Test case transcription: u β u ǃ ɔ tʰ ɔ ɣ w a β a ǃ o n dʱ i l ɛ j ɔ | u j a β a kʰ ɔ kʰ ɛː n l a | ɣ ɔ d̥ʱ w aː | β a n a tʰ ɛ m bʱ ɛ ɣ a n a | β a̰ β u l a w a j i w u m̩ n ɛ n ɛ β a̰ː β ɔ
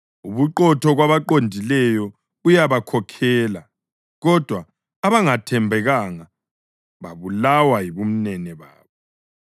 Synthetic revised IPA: u β u ǃ ɔ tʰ ɔ ɣ w a β a ǃ o n dʱ i l ɛ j ɔ | u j a β a kʰ ɔ kʰ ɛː l a | ɣ ɔ d̥ʱ w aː | β a ŋ a tʰ ɛ m bʱ ɛ ɣ a ŋ a | β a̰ β u l a w a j i β u m̩ n ɛ n ɛ β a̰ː β ɔ